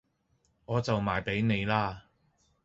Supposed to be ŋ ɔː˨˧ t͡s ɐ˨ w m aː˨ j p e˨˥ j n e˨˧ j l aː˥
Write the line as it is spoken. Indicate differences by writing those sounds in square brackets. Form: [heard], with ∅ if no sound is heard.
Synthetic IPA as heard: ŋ ɔː˨˧ t͡s ɐ˨ w m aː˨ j p e˨˥ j n e˨˧ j l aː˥